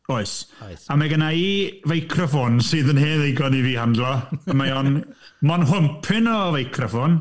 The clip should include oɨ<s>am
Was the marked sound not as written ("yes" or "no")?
no